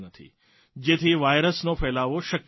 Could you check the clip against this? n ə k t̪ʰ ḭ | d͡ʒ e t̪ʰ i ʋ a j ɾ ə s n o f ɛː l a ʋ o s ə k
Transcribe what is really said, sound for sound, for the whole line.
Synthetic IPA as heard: n ə t̪ʰ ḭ | d͡ʒ e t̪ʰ i ʋ a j ɾ ə s n o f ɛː l a ʋ o ʃ ə k